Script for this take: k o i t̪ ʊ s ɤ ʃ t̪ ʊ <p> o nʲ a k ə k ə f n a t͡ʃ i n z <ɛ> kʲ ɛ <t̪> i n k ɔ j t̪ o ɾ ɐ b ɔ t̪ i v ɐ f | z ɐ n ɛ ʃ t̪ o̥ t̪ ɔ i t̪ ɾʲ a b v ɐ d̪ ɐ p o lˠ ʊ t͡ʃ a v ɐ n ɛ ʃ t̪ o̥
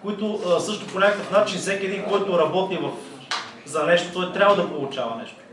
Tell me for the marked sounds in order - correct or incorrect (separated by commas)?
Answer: correct, correct, incorrect